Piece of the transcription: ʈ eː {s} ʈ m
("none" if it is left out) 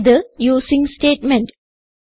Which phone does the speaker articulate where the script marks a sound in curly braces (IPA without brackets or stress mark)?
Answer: none